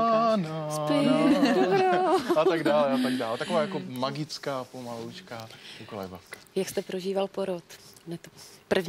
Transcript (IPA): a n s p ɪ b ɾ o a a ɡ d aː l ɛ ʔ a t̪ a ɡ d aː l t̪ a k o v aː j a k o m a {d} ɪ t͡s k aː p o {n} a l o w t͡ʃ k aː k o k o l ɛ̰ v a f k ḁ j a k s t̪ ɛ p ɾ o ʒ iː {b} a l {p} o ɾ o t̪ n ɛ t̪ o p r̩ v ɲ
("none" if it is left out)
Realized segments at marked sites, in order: ɡ, m, v, p

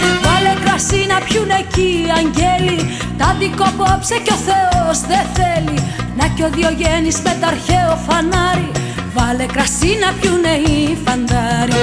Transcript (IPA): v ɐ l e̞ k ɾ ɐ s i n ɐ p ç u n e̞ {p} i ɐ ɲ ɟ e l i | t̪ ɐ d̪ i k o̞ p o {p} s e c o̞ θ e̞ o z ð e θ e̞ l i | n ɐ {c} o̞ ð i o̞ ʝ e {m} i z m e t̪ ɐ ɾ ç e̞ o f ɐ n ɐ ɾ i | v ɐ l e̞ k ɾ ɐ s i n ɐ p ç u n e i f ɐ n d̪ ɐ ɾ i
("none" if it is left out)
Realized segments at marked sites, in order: c, p, c, n

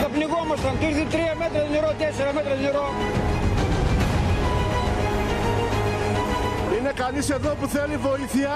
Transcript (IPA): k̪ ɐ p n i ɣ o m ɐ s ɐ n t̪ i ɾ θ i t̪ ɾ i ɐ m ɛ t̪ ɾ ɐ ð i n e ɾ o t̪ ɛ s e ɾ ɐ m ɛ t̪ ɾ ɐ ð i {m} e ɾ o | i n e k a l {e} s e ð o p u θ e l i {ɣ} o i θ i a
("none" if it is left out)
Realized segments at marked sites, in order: n, i, v

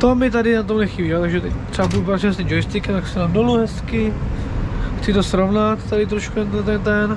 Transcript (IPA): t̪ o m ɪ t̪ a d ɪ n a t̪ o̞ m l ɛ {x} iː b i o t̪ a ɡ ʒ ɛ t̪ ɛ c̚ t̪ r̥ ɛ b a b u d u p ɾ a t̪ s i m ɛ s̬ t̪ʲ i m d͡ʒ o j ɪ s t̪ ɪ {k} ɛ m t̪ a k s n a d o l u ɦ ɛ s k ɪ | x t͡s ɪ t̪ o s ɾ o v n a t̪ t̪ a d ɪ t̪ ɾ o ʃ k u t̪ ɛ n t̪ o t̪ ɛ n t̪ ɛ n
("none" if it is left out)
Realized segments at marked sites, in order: x, k

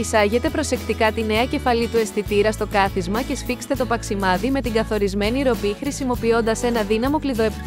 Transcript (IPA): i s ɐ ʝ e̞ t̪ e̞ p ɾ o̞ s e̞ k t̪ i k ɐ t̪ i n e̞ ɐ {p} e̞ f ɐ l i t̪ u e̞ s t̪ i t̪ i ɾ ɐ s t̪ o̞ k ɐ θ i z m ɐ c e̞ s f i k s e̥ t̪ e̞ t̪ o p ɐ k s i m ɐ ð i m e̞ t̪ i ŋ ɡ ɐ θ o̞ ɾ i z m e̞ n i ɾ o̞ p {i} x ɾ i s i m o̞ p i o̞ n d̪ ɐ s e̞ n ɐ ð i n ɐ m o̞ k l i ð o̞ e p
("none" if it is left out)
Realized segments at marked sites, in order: c, i

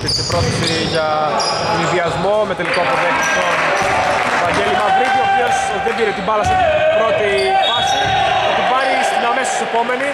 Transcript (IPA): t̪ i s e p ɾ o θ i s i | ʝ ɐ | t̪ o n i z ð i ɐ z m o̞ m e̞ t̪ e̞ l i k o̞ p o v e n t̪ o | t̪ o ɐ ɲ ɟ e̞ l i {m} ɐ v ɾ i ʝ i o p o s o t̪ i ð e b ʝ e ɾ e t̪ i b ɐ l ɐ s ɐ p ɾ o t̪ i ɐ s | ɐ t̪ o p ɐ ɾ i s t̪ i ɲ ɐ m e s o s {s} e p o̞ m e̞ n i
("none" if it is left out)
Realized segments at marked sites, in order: m, s

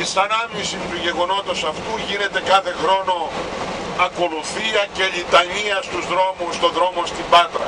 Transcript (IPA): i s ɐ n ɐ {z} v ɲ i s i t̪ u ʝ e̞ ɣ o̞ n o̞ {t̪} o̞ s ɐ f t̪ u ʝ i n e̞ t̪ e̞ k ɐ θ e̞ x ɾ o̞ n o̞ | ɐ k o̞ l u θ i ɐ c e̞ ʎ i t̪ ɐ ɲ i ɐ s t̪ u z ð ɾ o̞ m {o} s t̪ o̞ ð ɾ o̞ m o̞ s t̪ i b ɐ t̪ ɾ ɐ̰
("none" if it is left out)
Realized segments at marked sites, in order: none, t̪, u

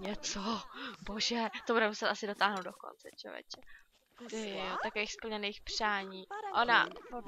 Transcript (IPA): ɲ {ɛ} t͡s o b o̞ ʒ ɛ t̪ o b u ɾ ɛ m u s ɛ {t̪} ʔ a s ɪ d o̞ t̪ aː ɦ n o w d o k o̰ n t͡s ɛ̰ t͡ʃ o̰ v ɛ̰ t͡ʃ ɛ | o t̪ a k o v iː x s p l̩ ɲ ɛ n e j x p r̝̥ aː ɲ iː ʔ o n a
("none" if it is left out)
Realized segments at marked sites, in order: ɛ, t̪

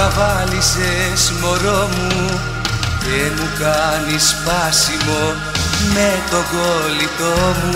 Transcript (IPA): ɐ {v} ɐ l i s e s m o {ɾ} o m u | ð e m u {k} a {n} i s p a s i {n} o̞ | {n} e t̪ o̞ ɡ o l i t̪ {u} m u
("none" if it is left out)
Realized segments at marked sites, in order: v, ɾ, k, n, m, m, o

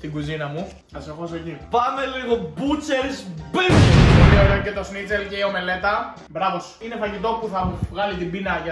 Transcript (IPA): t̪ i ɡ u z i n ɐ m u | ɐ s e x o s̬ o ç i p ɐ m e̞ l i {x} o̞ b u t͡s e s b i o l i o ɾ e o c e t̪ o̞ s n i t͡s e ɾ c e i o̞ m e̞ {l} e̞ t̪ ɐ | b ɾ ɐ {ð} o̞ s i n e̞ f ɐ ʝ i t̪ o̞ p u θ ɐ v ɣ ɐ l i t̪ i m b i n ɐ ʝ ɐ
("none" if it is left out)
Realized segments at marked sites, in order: ɣ, l, v

